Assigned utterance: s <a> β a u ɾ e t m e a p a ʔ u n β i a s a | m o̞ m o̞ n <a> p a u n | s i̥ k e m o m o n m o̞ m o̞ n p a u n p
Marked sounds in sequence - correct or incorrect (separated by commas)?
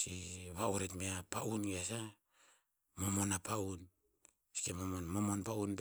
incorrect, correct